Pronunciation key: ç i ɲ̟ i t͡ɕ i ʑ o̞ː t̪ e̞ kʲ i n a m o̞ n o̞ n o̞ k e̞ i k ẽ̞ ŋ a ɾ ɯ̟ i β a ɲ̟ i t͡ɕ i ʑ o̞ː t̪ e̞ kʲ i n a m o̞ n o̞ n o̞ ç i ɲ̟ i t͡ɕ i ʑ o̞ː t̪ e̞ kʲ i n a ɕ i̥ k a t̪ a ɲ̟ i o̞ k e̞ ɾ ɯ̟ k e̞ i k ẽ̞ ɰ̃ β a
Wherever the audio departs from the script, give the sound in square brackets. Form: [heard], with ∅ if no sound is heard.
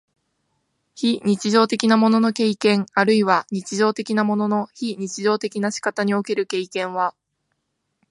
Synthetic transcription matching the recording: ç i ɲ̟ i t͡ɕ i ʑ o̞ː t̪ e̞ kʲ i n a m o̞ n o̞ n o̞ k e̞ i k ẽ̞ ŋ a ɾ ɯ̟ i β a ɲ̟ i t͡ɕ i ʑ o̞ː t̪ e̞ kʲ i n a m o̞ n o̞ n o̞ ç i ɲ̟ i t͡ɕ i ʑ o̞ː t̪ e̞ kʲ i n a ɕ i̥ k a t̪ a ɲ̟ i o̞ k e̞ ɾ ɯ̟ k e̞ i k ẽ̞ ɰ̃ β a